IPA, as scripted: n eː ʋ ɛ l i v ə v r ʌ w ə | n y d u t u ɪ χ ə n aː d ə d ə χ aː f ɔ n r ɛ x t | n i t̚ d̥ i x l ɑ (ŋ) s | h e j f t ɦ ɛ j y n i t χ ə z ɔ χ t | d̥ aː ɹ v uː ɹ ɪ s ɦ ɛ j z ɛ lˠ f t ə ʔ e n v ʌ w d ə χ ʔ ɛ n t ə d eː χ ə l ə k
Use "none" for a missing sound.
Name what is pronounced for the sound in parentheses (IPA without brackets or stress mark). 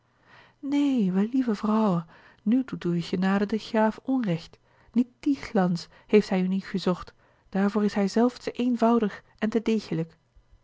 n